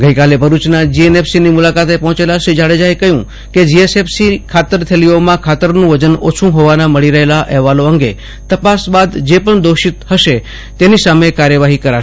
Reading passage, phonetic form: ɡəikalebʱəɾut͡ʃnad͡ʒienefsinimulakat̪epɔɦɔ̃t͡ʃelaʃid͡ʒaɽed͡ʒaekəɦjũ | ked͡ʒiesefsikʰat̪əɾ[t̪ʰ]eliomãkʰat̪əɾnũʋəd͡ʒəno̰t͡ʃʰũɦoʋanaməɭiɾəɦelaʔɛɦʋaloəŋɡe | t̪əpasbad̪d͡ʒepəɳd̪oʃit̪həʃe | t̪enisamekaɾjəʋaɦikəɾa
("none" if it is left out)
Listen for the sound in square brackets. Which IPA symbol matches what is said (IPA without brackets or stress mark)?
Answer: t̪ʰ